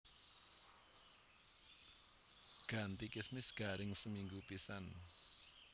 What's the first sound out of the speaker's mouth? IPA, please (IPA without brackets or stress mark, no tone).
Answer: ɡ̥